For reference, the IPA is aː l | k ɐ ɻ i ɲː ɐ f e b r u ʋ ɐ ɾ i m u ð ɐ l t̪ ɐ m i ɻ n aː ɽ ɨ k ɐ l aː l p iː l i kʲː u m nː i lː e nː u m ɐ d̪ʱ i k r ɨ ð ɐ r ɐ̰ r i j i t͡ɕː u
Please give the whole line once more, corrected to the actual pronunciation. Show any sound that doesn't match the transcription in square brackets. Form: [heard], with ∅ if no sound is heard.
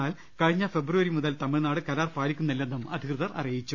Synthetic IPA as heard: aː l | k ɐ ɻ i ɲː ɐ f e b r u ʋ ɐ ɾ i m u ð ɐ l t̪ ɐ m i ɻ n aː ɽ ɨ k ɐ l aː [r] p [aː] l i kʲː u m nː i lː e nː u m ɐ d̪ʱ i k r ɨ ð ɐ r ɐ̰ r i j i t͡ɕː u